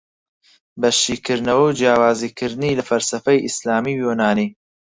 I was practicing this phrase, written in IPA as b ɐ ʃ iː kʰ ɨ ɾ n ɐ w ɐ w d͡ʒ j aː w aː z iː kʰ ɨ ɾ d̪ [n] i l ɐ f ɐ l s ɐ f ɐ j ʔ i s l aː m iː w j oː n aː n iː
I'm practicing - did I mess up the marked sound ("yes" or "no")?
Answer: no